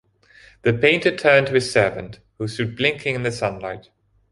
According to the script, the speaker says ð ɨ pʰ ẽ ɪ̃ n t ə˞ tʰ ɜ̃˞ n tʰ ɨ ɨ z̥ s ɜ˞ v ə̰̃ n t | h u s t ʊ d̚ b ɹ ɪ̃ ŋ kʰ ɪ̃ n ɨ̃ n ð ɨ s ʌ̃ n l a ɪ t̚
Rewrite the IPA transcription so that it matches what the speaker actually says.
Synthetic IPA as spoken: ð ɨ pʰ ẽ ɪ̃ n t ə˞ tʰ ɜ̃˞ n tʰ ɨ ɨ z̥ s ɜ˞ v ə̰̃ n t | h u s t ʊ d̚ b l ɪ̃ ŋ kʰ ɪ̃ ŋ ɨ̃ n ð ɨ s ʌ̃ n l a ɪ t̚